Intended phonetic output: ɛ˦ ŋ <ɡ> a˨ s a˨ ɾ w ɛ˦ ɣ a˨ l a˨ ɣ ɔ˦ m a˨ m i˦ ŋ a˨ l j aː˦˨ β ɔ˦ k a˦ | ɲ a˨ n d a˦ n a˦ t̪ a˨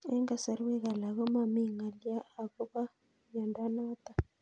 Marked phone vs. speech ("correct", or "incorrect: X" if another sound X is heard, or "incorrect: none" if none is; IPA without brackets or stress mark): correct